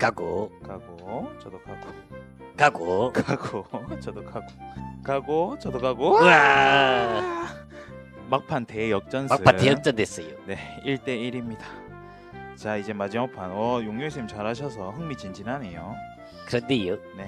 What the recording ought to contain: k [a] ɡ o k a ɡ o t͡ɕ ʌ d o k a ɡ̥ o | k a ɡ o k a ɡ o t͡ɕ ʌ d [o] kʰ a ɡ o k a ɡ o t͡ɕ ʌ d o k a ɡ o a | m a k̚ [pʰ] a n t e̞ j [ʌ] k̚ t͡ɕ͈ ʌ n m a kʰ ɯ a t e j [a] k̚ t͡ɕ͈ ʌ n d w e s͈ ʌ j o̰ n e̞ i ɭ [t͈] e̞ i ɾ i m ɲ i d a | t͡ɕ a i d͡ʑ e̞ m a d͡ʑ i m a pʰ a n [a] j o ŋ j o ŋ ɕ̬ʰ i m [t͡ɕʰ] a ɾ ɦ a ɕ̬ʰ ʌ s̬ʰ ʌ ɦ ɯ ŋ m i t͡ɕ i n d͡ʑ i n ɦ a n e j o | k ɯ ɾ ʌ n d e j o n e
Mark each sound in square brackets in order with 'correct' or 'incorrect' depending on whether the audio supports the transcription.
correct, correct, correct, correct, incorrect, correct, incorrect, incorrect

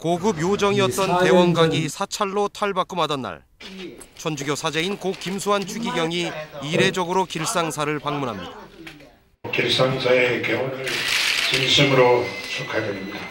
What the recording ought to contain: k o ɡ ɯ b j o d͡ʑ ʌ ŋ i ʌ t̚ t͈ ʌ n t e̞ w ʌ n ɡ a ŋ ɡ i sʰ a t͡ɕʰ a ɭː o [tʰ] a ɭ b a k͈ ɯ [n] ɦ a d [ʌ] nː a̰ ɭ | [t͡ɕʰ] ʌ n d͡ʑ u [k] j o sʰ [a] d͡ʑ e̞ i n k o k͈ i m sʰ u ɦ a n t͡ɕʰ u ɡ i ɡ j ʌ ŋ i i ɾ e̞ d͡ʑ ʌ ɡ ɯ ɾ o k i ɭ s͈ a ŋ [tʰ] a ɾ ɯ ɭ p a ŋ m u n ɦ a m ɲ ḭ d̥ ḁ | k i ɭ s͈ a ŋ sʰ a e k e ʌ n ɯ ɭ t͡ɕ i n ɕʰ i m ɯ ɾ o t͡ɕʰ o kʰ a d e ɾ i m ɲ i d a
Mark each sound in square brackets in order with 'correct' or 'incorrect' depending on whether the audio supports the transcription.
correct, incorrect, correct, correct, incorrect, correct, incorrect

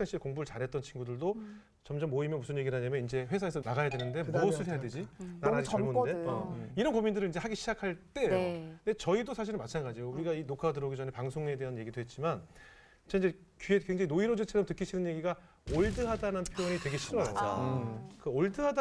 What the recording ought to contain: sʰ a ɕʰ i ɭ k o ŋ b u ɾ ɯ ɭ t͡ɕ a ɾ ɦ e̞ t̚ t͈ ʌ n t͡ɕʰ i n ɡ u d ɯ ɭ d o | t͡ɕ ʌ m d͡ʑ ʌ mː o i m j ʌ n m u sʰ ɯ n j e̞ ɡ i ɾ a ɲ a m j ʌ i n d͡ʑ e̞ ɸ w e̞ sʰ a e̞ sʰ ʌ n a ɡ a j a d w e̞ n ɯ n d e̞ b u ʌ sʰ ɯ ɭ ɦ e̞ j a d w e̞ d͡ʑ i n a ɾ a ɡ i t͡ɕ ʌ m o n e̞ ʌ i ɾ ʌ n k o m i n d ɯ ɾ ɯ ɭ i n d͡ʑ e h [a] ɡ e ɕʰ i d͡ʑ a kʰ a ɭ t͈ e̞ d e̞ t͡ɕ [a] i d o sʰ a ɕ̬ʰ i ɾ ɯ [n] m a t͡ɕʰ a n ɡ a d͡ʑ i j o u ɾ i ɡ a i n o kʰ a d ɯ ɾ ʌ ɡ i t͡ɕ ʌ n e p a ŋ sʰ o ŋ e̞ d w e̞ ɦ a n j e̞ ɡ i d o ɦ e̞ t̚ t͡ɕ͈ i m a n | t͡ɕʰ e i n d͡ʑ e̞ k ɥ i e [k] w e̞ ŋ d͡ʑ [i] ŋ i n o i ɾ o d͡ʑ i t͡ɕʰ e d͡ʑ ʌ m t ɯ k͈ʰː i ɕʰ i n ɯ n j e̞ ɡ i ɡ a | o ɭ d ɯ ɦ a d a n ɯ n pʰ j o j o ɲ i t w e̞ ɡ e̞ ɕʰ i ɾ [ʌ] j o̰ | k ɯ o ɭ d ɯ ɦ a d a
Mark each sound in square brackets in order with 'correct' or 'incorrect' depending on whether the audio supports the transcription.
correct, incorrect, correct, correct, incorrect, correct

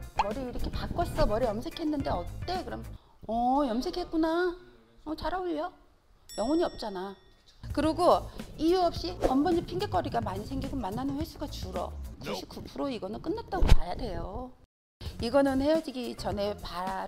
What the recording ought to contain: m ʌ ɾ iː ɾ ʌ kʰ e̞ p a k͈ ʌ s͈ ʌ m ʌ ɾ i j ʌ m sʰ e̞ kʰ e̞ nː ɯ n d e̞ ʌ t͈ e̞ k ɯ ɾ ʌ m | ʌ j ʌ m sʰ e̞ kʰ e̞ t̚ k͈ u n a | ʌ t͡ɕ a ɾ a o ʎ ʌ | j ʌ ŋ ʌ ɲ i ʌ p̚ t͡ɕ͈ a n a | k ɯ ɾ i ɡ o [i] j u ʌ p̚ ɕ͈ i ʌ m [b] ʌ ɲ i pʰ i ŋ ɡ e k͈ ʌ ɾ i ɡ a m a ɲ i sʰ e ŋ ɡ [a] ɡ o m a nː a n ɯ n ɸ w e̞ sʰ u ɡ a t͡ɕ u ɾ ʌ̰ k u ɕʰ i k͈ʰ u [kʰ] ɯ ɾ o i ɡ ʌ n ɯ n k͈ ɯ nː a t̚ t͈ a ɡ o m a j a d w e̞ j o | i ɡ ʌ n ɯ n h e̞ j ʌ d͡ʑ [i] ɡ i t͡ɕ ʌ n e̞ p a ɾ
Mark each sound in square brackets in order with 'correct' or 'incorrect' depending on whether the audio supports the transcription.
correct, correct, incorrect, incorrect, correct

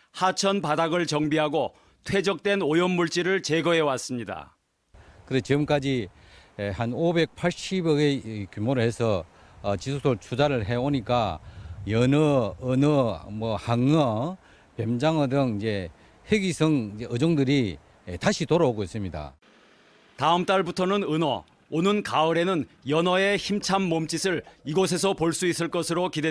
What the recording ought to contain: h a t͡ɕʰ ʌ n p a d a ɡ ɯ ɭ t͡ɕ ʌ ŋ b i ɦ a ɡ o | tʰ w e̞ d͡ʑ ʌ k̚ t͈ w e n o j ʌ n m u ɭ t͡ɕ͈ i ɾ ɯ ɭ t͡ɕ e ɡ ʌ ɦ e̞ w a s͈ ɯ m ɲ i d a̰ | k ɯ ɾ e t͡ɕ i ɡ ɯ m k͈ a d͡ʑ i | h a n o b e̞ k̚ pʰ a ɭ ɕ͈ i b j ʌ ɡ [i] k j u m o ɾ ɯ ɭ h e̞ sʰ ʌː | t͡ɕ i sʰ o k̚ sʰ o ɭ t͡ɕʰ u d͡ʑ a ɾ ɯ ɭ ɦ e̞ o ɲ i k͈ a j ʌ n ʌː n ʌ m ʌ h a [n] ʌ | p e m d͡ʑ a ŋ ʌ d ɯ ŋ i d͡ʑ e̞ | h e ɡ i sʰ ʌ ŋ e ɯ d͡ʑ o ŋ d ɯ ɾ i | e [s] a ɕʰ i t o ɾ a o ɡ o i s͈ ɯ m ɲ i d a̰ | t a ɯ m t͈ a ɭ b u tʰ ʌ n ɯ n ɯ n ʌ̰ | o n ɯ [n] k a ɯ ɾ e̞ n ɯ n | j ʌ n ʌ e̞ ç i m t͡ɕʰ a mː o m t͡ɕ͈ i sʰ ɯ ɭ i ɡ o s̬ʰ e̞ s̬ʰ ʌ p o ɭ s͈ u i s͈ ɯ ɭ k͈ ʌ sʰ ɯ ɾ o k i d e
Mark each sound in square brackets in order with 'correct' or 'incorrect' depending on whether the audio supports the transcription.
incorrect, incorrect, incorrect, correct

